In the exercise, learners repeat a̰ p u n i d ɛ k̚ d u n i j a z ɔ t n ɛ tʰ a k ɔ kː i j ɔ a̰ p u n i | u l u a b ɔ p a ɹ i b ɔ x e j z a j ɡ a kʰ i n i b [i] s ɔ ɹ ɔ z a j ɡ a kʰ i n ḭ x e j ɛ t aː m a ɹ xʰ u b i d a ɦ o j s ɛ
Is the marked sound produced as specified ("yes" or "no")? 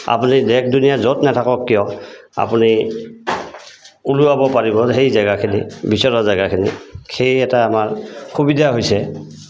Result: yes